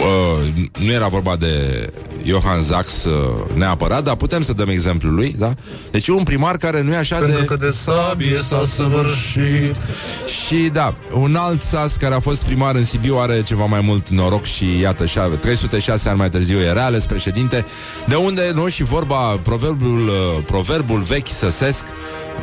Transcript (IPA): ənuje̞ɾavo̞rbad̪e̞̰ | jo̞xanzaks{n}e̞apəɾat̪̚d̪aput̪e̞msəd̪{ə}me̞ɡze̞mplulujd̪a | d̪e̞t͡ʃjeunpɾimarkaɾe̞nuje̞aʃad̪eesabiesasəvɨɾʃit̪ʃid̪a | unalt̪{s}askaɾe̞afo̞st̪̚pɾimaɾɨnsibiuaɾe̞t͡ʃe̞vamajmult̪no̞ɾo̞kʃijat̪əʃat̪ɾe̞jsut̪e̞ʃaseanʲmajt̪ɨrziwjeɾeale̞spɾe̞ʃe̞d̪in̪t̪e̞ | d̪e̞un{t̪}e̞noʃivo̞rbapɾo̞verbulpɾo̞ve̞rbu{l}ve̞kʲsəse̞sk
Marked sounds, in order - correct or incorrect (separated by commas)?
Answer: correct, correct, correct, incorrect, correct